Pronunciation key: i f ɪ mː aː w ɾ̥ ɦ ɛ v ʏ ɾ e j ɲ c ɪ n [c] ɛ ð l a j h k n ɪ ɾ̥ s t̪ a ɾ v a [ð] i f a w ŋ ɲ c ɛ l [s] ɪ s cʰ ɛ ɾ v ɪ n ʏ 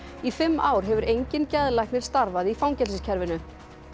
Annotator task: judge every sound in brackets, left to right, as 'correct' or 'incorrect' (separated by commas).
correct, correct, correct